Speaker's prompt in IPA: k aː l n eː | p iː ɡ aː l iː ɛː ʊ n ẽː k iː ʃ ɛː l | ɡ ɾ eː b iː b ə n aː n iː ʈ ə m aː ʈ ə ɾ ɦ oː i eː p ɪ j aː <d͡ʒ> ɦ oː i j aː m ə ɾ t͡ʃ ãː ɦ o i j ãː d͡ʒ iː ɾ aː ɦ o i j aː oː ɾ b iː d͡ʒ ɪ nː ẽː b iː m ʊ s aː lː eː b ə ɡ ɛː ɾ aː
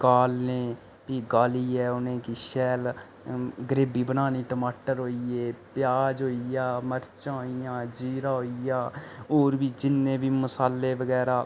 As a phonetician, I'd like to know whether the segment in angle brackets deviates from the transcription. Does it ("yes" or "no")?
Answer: no